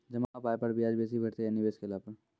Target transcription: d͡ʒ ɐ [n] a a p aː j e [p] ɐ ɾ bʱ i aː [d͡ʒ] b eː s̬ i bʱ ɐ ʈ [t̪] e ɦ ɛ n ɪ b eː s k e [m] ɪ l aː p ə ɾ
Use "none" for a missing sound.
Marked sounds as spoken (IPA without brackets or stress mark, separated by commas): m, p, d͡ʒ, t̪, none